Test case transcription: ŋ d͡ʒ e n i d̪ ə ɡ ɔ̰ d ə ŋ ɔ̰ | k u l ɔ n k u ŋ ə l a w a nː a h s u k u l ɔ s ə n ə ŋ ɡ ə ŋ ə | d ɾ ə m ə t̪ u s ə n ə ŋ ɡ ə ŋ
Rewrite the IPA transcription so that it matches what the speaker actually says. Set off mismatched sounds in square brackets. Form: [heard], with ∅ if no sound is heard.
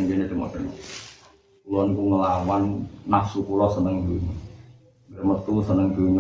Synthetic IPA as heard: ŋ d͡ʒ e n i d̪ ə [ŋ] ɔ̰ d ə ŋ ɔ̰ | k u l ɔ n k u ŋ ə l a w a nː a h s u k u l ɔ s ə n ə ŋ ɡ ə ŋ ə | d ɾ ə m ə t̪ u s ə n ə ŋ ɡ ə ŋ